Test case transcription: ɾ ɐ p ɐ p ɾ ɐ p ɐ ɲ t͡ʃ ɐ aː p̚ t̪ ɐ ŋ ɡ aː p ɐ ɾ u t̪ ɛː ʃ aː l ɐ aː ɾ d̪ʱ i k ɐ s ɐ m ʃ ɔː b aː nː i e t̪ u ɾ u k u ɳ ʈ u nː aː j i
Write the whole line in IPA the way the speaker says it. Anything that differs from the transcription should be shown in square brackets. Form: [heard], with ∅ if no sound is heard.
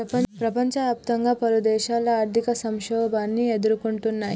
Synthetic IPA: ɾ ɐ p ɐ p ɾ ɐ p ɐ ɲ t͡ʃ ɐ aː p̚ t̪ ɐ ŋ ɡ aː p ɐ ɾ u [d̪] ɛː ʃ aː l ɐ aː ɾ d̪ʱ i k ɐ s ɐ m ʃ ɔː b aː nː i e [d̪] u ɾ u k u ɳ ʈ u nː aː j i